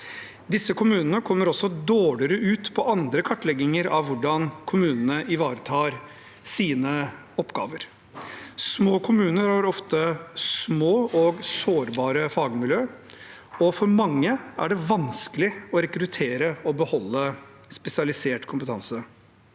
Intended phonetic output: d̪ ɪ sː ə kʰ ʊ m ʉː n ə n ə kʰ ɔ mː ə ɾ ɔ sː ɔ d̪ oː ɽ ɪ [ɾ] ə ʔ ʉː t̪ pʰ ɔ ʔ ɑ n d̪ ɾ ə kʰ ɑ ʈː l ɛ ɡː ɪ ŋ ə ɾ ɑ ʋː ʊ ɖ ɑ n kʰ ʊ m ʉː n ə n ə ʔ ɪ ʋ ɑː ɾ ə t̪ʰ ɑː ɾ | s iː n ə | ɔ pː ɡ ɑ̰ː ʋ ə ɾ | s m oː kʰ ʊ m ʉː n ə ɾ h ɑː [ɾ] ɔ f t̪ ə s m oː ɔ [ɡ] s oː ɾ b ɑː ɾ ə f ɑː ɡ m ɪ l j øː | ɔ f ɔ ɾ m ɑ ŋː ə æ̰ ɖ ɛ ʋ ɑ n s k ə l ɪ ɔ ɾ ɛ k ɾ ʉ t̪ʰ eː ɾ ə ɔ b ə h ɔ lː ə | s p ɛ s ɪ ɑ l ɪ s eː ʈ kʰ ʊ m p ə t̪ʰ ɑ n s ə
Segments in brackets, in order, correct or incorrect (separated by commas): correct, correct, correct